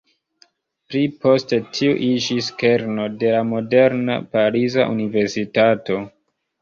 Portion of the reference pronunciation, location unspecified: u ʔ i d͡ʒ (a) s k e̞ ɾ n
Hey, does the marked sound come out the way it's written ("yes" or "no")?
no